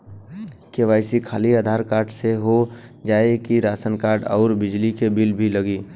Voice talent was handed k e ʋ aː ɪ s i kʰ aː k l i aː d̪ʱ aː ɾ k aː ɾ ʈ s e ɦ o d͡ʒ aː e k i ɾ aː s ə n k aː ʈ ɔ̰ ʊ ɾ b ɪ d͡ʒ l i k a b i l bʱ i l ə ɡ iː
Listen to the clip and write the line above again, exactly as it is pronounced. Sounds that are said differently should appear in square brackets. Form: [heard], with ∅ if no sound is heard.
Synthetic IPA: k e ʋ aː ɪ s i kʰ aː [∅] l i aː d̪ʱ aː ɾ k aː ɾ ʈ s e ɦ o d͡ʒ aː e k i ɾ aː s ə n k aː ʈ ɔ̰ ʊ ɾ b ɪ d͡ʒ l i k [e] b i l bʱ i l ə ɡ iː